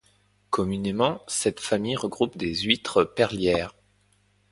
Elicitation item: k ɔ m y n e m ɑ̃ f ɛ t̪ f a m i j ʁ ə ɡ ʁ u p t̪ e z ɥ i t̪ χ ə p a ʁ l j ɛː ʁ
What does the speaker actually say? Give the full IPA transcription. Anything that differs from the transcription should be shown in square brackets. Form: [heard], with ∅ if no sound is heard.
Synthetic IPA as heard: k ɔ m y n e m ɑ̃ [s] ɛ t̪ f a m i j ʁ ə ɡ ʁ u p [d̪] e z ɥ i t̪ χ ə p [ɛ] ʁ l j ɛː ʁ